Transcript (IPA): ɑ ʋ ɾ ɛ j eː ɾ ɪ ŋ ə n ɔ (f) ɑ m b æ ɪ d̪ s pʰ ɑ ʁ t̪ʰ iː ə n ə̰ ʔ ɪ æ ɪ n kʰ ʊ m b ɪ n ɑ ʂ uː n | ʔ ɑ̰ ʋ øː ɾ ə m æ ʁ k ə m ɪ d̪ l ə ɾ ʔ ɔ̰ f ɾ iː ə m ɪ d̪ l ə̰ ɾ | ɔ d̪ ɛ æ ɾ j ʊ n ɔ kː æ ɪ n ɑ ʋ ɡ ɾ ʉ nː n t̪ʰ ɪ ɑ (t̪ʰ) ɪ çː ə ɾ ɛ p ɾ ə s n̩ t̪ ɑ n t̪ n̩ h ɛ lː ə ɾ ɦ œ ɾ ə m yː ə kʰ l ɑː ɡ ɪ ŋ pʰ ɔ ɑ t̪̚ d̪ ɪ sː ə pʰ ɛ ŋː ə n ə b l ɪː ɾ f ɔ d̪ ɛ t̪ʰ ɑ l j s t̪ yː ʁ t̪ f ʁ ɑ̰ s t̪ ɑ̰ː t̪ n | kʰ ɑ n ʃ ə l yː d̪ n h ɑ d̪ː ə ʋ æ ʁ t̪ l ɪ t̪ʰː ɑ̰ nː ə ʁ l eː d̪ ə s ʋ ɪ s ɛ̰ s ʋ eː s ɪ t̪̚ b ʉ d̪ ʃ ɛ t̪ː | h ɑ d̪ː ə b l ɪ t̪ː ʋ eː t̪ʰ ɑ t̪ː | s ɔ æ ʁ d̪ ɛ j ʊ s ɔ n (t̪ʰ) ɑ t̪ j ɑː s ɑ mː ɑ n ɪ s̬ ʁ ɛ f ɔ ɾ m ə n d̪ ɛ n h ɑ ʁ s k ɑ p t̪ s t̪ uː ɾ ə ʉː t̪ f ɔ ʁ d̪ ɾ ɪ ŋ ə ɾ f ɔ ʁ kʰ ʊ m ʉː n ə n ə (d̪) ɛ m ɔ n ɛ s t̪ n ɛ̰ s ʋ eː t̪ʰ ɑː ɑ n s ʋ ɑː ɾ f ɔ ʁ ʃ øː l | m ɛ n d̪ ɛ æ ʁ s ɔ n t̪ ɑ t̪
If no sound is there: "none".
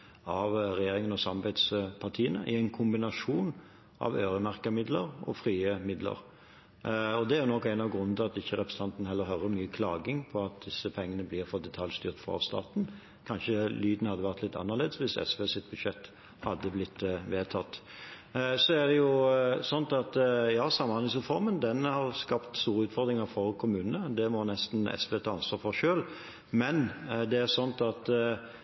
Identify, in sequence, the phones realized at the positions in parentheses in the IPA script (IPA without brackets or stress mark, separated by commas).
s, t̪, t̪, d̪